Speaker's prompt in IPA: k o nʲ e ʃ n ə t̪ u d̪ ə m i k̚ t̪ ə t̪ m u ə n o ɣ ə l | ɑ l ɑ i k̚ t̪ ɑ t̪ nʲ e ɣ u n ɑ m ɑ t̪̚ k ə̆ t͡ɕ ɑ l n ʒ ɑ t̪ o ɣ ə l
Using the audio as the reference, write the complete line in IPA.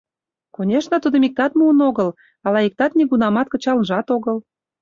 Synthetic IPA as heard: k o nʲ e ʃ n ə t̪ u d̪ ə m i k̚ t̪ ɑ t̪ m u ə n o ɣ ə l | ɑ l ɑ i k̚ t̪ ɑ t̪ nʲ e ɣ u n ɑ m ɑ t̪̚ k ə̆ t͡ɕ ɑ l n ʒ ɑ t̪ o ɣ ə l